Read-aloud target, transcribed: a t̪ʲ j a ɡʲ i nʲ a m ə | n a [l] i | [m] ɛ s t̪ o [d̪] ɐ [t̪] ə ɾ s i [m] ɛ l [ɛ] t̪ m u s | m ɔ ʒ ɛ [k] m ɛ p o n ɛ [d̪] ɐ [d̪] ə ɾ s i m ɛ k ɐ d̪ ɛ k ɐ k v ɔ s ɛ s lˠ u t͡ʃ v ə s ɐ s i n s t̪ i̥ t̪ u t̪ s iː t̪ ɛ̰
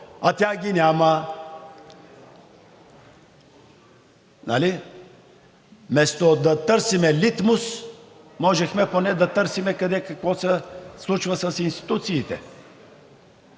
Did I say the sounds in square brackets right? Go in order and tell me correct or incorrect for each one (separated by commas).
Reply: correct, correct, correct, correct, correct, incorrect, incorrect, correct, incorrect